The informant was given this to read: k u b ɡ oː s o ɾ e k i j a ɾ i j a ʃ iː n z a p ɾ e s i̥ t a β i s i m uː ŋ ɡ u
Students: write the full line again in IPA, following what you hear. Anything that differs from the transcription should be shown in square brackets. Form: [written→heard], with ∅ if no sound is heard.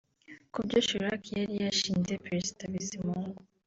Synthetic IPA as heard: k u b [ɡ→ɟ] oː [s→ʃ] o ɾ [e→a] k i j a ɾ i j a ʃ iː n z [a→e] p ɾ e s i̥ t a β i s i m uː ŋ ɡ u